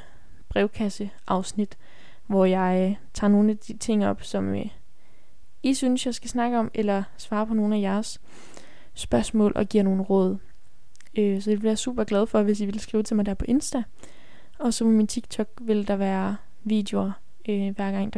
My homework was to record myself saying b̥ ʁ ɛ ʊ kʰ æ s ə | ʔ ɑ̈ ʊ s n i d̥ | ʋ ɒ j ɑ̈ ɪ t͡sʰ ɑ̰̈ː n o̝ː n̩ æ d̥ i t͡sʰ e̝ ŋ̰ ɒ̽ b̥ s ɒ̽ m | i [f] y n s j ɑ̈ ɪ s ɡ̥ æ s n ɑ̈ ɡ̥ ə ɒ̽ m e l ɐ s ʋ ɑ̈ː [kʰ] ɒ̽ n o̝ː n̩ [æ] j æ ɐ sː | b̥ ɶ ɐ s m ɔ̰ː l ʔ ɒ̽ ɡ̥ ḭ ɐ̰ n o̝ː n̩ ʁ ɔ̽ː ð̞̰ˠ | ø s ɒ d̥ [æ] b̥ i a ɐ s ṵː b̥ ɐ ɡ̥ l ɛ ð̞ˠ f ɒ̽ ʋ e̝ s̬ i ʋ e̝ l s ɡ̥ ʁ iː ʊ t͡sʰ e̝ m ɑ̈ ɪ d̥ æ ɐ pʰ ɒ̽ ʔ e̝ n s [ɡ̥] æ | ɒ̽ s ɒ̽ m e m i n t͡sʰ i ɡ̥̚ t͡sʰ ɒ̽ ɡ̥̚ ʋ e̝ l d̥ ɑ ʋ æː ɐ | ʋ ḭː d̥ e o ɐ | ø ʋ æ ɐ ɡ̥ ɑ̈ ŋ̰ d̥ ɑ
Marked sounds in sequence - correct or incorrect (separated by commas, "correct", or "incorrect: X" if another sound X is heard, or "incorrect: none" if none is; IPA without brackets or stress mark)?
incorrect: s, incorrect: pʰ, correct, incorrect: e, incorrect: d̥